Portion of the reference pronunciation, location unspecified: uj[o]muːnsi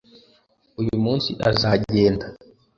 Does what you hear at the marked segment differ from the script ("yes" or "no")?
yes